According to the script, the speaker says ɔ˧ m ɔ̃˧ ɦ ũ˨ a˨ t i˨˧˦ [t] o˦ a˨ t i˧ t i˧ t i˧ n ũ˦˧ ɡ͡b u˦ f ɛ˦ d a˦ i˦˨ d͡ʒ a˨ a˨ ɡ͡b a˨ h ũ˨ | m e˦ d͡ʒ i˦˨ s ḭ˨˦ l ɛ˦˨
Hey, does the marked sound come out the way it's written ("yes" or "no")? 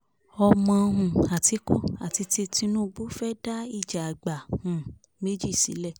no